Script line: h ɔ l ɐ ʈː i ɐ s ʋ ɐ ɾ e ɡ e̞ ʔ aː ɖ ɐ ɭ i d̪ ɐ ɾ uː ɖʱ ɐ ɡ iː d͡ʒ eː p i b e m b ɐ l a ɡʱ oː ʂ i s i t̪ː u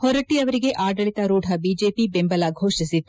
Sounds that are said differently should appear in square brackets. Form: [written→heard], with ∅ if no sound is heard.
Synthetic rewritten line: h ɔ [l→ɾ] ɐ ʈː i ɐ [s→∅] ʋ ɐ ɾ [e→i] ɡ e̞ ʔ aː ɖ ɐ ɭ i [d̪→t̪] ɐ ɾ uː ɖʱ ɐ [ɡ→b] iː d͡ʒ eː p i b e m b ɐ l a ɡʱ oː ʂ i s i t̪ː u

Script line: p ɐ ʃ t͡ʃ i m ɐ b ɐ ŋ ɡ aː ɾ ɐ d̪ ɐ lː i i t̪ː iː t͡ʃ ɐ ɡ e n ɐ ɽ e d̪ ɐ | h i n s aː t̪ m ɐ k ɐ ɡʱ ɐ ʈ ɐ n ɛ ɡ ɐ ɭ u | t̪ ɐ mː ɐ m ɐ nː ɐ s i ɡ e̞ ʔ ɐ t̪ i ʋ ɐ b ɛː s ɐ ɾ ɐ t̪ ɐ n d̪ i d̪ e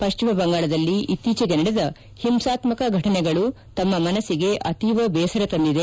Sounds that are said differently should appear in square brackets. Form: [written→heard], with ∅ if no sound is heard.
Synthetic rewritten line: p ɐ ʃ t͡ʃ i m ɐ b ɐ ŋ ɡ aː [ɾ→ɭ] ɐ d̪ ɐ lː i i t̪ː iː t͡ʃ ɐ ɡ e n ɐ ɽ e d̪ ɐ | h i [n→m] s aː t̪ m ɐ k ɐ ɡʱ ɐ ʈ ɐ n ɛ ɡ ɐ ɭ u | t̪ ɐ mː ɐ m ɐ [nː→n] ɐ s i ɡ e̞ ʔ ɐ t̪ i ʋ ɐ b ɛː s ɐ ɾ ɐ t̪ ɐ n d̪ i d̪ e

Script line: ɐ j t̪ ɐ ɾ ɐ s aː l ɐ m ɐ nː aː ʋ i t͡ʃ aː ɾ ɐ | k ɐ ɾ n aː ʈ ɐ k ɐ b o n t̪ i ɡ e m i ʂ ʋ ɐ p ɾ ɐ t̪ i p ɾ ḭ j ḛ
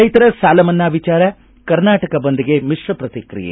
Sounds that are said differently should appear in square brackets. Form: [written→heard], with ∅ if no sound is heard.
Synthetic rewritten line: ɐ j t̪ ɐ ɾ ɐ s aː l ɐ m ɐ nː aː ʋ i t͡ʃ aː ɾ ɐ | k ɐ ɾ n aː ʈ ɐ k ɐ b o n [t̪→d̪] i ɡ e m i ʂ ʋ ɐ p ɾ ɐ t̪ i [p→k] ɾ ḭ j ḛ

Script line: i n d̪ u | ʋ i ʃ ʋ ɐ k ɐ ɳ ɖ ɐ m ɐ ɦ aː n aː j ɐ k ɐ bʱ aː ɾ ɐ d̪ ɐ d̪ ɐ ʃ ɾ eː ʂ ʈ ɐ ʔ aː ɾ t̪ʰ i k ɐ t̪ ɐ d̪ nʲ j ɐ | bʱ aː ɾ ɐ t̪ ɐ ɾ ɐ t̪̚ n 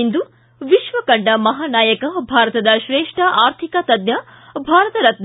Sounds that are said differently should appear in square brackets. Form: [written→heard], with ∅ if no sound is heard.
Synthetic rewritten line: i n d̪ u | ʋ i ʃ ʋ ɐ k ɐ ɳ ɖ ɐ m ɐ ɦ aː n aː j ɐ k ɐ bʱ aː ɾ ɐ [d̪→t̪] ɐ d̪ ɐ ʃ ɾ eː ʂ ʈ ɐ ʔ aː ɾ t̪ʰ i k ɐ t̪ ɐ d̪ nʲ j ɐ | bʱ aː ɾ ɐ t̪ ɐ ɾ ɐ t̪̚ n

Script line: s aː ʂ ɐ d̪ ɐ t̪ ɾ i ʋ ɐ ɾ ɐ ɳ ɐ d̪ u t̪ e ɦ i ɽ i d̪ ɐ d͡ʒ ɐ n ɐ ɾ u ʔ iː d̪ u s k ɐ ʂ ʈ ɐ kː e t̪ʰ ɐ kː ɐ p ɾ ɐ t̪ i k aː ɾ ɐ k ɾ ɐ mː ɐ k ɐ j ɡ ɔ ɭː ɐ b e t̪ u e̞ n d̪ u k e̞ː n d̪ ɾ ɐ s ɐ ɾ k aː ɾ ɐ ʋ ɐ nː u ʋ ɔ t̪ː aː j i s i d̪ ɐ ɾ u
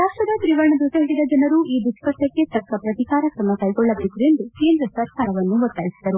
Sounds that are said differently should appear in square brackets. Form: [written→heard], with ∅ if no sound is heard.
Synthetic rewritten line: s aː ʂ ɐ d̪ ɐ t̪ ɾ i ʋ ɐ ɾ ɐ ɳ ɐ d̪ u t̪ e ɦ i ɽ i d̪ ɐ d͡ʒ ɐ n ɐ ɾ u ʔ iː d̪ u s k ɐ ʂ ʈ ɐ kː e [t̪ʰ→t̪] ɐ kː ɐ p ɾ ɐ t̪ i k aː ɾ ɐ k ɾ ɐ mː ɐ k ɐ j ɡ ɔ ɭː ɐ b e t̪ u e̞ n d̪ u k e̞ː n d̪ ɾ ɐ s ɐ ɾ k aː ɾ ɐ ʋ ɐ nː u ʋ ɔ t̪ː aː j i s i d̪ ɐ ɾ u

